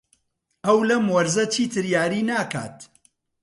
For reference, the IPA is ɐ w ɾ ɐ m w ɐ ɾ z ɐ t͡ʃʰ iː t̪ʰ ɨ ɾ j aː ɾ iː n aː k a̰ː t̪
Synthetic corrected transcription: ɐ w l ɐ m w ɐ ɾ z ɐ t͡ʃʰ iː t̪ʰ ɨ ɾ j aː ɾ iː n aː k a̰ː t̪